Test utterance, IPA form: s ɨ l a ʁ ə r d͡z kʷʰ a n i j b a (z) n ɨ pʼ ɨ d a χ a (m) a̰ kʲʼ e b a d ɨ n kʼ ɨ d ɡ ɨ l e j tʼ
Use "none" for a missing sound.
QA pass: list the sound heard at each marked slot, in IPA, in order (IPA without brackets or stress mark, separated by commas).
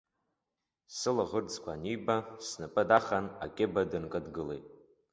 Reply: s, n